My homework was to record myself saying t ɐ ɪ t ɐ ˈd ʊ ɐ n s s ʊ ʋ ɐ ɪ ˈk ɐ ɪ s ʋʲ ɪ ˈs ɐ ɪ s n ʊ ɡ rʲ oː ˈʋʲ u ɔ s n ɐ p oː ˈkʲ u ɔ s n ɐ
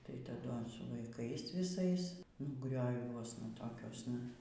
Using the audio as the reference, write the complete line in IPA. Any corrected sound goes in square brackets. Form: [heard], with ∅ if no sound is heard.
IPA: t ɐ ɪ t ɐ ˈd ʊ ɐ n s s ʊ ʋ ɐ ɪ ˈk ɐ ɪ s ʋʲ ɪ ˈs ɐ ɪ s n ʊ ɡ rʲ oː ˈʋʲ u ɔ s n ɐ [t] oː ˈkʲ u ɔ s n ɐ